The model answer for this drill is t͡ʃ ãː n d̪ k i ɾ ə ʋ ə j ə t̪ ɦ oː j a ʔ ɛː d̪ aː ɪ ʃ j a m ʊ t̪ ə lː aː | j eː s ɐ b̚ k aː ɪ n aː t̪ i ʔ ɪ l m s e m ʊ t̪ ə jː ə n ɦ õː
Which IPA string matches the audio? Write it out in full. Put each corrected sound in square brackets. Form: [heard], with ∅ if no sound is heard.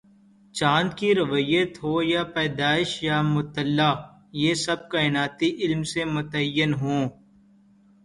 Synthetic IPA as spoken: t͡ʃ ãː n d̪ k i ɾ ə ʋ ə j ə t̪ ɦ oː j a [p] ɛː d̪ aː ɪ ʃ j a m ʊ t̪ ə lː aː | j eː s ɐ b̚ k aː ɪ n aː t̪ i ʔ ɪ l m s e m ʊ t̪ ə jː ə n ɦ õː